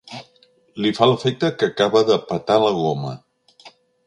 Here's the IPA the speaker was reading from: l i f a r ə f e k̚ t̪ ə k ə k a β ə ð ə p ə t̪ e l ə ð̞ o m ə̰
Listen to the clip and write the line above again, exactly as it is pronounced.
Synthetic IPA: l i f a l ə f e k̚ t̪ ə k ə k a β ə ð ə p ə t̪ a l ə ɣ̞ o m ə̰